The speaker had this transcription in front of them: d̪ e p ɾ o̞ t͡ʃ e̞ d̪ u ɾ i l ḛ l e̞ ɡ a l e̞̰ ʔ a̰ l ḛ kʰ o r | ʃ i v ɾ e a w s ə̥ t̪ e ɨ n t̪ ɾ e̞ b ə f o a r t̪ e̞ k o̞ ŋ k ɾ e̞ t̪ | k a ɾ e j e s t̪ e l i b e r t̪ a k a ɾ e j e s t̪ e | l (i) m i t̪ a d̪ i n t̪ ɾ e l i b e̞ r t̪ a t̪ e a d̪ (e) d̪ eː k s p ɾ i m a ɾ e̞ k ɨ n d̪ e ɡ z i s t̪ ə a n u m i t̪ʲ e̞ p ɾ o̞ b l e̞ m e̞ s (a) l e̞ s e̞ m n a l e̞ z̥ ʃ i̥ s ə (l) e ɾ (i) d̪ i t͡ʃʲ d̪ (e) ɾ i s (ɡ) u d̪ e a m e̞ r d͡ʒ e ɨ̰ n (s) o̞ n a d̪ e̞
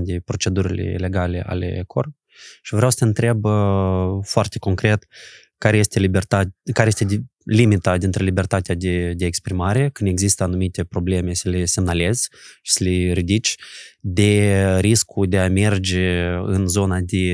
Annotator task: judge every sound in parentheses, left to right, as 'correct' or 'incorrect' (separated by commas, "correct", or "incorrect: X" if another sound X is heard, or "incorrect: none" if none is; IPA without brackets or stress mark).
correct, correct, incorrect: ə, correct, correct, correct, incorrect: k, incorrect: z